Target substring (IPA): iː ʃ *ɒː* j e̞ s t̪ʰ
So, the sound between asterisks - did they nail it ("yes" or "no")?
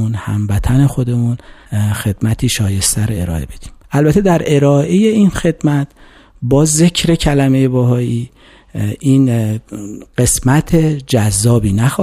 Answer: yes